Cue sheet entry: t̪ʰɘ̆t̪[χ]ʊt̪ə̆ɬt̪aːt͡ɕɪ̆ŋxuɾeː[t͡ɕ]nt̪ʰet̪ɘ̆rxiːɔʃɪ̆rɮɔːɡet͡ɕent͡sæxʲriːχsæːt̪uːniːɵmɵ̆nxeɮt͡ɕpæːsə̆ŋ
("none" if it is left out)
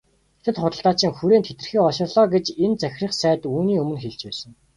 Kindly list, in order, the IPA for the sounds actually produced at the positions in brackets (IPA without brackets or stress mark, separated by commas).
χ, none